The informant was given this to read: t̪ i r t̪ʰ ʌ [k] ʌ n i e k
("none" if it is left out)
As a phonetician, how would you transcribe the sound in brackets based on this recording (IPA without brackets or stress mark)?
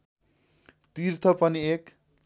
p